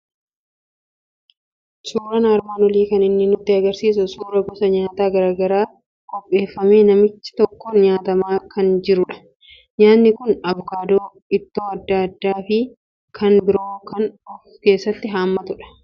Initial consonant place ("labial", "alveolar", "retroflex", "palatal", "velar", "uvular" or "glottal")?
alveolar